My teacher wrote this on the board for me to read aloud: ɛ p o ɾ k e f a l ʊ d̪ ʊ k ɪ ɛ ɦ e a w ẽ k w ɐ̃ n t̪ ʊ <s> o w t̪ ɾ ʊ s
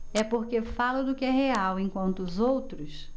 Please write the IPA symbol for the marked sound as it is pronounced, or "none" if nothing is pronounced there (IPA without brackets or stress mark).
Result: z